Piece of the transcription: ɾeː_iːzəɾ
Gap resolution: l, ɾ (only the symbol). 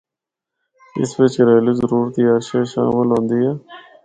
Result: l